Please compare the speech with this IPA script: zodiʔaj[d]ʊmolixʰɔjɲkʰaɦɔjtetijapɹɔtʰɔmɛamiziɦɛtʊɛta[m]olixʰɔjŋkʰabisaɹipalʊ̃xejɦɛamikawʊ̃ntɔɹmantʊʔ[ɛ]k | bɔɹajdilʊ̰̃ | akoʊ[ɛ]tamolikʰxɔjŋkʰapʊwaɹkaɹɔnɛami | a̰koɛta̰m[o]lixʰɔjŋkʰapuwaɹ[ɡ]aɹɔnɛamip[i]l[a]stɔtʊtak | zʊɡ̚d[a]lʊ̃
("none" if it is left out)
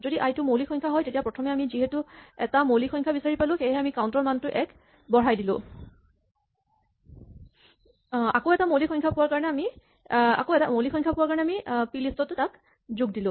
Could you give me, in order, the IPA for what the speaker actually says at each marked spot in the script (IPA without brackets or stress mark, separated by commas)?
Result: t, m, ɛ, ɛ, o, k, i, i, i